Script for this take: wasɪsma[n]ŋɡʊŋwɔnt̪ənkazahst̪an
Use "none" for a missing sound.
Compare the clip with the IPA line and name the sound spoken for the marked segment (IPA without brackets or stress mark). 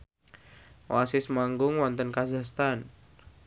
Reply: none